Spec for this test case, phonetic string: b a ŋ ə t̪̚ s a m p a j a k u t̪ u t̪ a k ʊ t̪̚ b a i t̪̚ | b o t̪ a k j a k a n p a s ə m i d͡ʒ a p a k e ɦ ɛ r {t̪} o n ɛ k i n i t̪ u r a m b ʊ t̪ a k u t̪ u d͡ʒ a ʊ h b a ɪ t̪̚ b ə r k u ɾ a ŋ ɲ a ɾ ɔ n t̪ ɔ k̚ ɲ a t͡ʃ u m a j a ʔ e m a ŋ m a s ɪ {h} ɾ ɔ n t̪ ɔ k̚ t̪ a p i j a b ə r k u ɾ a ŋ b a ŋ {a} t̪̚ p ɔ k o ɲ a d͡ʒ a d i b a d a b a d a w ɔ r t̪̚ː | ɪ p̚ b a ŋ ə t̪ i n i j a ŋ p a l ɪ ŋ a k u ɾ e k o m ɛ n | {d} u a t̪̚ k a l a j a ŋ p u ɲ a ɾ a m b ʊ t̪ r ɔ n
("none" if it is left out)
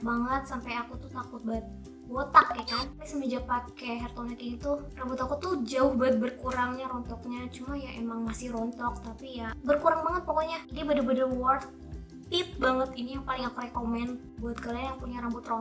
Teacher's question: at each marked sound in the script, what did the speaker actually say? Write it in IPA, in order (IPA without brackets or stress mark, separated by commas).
t̪, h, ə, b